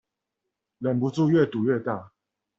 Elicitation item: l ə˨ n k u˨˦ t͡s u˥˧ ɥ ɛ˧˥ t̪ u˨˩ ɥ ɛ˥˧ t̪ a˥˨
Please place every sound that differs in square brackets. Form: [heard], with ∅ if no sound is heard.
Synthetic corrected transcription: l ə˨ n [p] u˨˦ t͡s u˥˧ ɥ [ɛ˥˨] t̪ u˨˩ ɥ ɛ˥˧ t̪ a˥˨